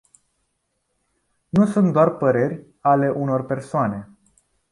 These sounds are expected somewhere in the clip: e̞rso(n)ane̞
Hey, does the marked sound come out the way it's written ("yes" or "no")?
no